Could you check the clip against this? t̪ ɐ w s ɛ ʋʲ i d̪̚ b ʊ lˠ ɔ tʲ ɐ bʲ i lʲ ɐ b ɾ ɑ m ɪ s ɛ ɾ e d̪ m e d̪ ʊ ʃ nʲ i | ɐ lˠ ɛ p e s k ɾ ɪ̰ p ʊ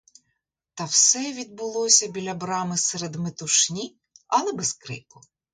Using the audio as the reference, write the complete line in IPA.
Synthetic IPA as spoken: t̪ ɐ w s ɛ ʋʲ i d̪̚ b ʊ lˠ ɔ sʲ ɐ bʲ i lʲ ɐ b ɾ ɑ m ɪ s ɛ ɾ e d̪ m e t̪ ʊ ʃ nʲ i | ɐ lˠ ɛ b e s k ɾ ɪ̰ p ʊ